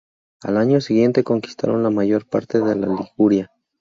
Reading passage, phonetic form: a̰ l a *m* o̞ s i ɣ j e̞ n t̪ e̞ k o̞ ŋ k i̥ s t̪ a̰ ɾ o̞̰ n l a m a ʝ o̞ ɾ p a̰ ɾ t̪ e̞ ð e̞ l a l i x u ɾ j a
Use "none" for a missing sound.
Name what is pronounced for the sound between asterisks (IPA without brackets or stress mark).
ɲ